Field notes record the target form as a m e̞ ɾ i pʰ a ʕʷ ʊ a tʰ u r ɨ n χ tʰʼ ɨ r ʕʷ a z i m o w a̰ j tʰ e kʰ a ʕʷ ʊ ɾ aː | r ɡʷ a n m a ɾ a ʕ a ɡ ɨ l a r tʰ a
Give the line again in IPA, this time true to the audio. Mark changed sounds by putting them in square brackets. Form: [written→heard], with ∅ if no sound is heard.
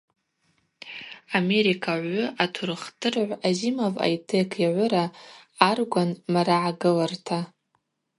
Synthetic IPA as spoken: a m e̞ ɾ i [pʰ→kʰ] a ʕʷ ʊ a tʰ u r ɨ [n→∅] χ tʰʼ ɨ r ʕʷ a z i m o [w→v] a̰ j tʰ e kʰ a ʕʷ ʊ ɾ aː | r ɡʷ a n m a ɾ a ʕ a ɡ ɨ l a r tʰ a